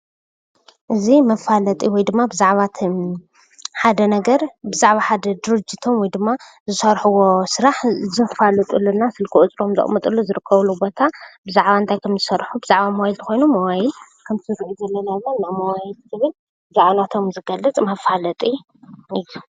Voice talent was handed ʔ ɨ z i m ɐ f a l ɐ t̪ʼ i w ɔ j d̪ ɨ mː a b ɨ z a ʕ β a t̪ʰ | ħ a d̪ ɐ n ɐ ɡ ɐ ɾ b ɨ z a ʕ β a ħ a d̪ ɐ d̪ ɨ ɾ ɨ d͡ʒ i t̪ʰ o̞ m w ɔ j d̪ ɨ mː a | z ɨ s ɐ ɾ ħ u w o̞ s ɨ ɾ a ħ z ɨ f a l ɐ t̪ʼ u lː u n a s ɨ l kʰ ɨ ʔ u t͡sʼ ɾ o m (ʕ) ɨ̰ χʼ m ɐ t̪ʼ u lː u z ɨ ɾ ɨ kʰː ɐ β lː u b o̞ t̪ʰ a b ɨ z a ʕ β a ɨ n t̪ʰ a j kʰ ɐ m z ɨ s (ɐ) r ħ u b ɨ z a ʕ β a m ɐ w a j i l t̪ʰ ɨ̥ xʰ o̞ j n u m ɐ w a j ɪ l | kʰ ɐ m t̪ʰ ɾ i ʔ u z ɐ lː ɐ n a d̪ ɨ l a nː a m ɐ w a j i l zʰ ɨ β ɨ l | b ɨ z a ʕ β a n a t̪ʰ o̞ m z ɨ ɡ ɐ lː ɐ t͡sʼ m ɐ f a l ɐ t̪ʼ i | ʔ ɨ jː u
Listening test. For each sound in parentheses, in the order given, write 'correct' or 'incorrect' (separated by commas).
incorrect, correct